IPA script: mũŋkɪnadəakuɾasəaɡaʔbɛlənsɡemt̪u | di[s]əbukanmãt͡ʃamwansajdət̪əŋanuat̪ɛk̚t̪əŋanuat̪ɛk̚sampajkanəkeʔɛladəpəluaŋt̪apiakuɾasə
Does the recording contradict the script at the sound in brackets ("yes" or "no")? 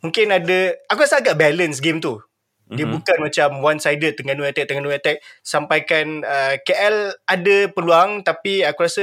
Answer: yes